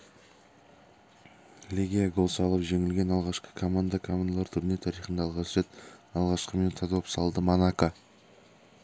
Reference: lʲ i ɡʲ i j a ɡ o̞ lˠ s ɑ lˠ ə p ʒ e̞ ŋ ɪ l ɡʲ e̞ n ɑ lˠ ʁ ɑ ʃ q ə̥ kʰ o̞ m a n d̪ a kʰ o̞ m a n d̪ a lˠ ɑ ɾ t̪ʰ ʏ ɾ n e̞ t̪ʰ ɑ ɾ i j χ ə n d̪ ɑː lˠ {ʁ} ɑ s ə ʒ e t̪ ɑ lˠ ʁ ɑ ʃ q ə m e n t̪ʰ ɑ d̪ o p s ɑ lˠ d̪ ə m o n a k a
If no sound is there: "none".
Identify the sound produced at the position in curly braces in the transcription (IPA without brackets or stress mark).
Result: ʁ